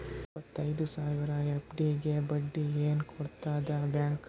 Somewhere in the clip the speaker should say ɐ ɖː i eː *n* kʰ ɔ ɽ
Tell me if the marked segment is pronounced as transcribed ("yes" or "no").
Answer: yes